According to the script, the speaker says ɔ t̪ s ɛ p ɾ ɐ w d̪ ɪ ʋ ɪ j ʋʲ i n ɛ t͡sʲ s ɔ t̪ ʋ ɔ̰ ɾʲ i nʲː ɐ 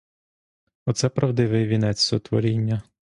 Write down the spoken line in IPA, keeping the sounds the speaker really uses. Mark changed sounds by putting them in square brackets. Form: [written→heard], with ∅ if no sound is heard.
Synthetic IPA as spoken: ɔ t̪ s ɛ p ɾ ɐ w d̪ ɪ ʋ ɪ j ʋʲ i n ɛ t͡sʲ s ɔ t̪ ʋ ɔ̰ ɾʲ i nʲː ɐ